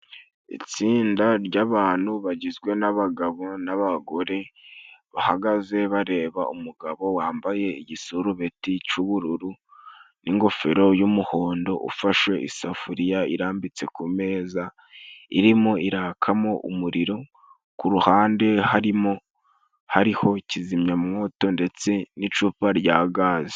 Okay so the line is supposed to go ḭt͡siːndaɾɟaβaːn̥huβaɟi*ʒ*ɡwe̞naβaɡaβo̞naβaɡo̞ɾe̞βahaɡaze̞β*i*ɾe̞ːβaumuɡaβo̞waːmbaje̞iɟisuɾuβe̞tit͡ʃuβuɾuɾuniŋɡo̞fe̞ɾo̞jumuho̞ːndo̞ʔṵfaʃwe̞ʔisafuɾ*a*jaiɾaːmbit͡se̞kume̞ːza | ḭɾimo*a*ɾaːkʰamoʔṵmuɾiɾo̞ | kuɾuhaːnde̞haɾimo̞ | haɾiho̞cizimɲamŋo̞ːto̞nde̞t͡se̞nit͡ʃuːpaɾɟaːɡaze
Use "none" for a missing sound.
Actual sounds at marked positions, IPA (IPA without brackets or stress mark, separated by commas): z, a, i, i